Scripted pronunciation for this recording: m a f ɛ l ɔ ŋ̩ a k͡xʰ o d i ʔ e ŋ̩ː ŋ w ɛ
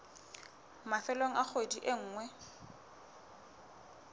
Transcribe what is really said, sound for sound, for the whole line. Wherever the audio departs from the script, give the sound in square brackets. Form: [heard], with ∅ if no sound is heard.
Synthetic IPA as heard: m a f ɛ l [o] ŋ̩ a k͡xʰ o d i ʔ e ŋ̩ː ŋ w ɛ